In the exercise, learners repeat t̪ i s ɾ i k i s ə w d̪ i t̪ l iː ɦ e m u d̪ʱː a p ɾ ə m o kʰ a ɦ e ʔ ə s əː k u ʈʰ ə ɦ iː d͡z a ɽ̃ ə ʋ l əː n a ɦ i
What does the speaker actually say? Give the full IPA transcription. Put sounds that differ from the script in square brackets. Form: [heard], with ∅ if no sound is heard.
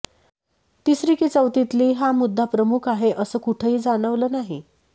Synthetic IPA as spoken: t̪ i s ɾ i k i [t͡s] ə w [t̪] i t̪ l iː ɦ [a] m u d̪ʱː a p ɾ ə m [u] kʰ a ɦ e ʔ ə s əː k u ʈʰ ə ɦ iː d͡z a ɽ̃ ə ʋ l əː n a ɦ i